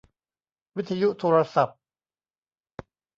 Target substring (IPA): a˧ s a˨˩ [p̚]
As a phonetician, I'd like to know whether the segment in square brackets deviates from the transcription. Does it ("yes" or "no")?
no